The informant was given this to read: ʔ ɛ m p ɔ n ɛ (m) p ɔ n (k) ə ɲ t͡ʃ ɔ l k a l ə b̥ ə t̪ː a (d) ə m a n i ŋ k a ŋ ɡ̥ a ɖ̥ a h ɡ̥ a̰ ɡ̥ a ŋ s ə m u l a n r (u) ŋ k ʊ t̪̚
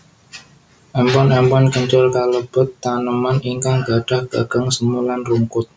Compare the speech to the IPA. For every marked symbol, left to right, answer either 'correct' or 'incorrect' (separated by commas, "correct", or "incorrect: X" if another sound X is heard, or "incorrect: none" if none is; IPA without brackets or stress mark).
correct, correct, incorrect: n, correct